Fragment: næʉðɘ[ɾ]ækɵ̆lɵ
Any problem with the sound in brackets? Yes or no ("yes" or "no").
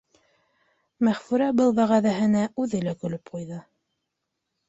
yes